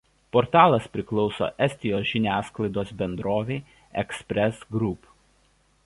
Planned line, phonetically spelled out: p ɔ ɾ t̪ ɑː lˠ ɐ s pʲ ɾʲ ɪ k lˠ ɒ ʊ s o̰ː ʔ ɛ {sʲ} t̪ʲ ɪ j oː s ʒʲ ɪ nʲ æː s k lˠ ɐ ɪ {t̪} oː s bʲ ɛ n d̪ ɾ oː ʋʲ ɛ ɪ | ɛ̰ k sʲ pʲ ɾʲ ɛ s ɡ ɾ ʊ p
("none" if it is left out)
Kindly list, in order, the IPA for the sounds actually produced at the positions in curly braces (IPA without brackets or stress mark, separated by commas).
sʲ, d̪